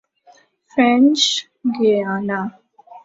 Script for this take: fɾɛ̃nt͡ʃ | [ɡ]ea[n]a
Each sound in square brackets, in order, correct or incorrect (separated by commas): correct, correct